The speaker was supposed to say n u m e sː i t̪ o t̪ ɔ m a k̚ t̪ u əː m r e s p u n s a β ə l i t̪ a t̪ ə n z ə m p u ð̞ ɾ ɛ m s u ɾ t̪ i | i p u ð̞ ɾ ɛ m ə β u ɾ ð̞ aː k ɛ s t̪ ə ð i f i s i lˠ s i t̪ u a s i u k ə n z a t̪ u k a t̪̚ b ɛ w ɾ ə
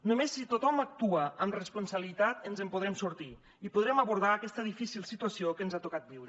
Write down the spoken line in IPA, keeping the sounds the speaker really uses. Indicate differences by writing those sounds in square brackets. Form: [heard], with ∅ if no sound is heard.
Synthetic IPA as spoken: n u m e sː i t̪ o t̪ ɔ m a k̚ t̪ u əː m r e s p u n s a β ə l i t̪ a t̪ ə n z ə m p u ð̞ ɾ ɛ m s u ɾ t̪ i | i p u ð̞ ɾ ɛ m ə β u ɾ ð̞ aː k ɛ s t̪ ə ð i f i s i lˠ s i t̪ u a s i [o] k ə n z a t̪ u k a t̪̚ b [i] w ɾ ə